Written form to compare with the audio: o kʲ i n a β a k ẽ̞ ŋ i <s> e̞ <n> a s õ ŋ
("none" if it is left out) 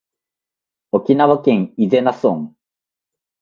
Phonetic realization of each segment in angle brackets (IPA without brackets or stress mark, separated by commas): z, n